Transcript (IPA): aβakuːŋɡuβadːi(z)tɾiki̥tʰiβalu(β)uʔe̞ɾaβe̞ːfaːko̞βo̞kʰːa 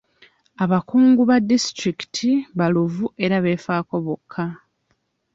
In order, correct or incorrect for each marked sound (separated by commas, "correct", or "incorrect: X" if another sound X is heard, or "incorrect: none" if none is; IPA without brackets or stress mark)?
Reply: incorrect: s, incorrect: v